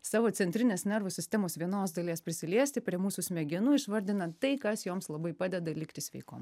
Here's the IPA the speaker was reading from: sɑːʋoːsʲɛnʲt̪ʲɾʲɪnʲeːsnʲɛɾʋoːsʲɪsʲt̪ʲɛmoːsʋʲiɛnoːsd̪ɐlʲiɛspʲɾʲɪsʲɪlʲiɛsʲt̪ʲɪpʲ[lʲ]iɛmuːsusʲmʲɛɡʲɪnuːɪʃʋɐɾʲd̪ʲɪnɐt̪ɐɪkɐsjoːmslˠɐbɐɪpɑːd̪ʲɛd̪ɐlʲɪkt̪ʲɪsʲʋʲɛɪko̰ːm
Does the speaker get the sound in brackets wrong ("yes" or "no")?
yes